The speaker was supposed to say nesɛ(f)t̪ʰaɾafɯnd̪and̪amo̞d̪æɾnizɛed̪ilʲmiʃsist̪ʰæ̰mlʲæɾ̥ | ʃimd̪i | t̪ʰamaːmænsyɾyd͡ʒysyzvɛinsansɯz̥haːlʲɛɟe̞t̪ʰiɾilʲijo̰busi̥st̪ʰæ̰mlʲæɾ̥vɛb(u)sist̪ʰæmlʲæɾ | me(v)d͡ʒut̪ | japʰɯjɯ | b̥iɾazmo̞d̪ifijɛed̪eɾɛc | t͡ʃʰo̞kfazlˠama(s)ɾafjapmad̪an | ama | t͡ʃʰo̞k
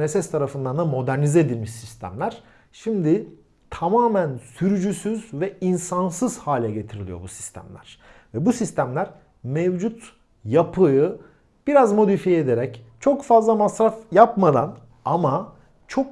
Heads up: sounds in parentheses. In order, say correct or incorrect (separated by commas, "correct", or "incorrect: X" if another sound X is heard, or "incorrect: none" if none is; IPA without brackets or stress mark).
incorrect: s, correct, correct, correct